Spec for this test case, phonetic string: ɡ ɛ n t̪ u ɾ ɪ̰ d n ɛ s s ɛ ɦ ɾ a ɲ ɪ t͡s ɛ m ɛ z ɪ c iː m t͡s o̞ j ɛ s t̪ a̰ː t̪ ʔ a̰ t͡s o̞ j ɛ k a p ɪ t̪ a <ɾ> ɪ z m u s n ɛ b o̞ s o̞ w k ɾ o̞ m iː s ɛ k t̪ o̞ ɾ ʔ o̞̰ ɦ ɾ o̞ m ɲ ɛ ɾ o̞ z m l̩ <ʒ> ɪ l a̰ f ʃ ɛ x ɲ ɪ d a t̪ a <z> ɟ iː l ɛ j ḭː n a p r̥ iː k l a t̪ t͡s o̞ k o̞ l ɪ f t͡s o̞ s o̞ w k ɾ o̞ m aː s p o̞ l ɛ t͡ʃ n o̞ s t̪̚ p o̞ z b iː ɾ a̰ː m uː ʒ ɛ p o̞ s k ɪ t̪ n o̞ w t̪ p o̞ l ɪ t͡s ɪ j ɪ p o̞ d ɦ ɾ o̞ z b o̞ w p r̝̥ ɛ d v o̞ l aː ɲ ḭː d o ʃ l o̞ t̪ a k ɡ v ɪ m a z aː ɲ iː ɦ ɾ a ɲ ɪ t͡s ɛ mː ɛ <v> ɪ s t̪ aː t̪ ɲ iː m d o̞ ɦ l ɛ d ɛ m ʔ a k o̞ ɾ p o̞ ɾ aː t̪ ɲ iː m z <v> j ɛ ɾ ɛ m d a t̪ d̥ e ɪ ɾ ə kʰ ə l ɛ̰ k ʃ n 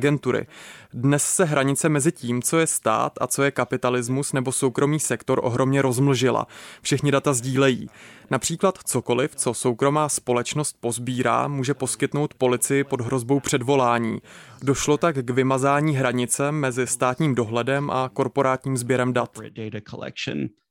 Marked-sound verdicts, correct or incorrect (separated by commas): incorrect, correct, correct, incorrect, incorrect